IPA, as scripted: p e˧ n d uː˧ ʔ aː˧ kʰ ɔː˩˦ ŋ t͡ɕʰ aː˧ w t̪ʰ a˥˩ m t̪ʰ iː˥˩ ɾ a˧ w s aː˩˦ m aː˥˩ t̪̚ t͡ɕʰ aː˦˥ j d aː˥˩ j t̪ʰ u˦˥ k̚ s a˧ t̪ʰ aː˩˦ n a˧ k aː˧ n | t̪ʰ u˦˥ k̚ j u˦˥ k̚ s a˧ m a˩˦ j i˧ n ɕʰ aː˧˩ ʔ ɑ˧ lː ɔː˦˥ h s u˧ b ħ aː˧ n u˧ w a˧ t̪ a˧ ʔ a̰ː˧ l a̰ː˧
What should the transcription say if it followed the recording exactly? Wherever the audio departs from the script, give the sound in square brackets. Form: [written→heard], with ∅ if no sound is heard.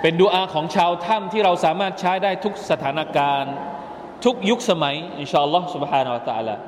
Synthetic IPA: p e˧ n d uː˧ ʔ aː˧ kʰ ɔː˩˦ ŋ t͡ɕʰ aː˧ w t̪ʰ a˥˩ m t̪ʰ iː˥˩ ɾ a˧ w s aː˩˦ m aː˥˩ t̪̚ t͡ɕʰ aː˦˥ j d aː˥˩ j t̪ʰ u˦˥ k̚ s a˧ t̪ʰ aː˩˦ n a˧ k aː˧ n | t̪ʰ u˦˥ k̚ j u˦˥ k̚ s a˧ m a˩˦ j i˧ n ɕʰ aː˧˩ ʔ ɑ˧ lː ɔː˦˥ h s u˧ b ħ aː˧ n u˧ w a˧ t̪ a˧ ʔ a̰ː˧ l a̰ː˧